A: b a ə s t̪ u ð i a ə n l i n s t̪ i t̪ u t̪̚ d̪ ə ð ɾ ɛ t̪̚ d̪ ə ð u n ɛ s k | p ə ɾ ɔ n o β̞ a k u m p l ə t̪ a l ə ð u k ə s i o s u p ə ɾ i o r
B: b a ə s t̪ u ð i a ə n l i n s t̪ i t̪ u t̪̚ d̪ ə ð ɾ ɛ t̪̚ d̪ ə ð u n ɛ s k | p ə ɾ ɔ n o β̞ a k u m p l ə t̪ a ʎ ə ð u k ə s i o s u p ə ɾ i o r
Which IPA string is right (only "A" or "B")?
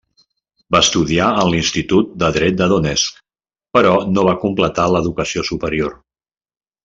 A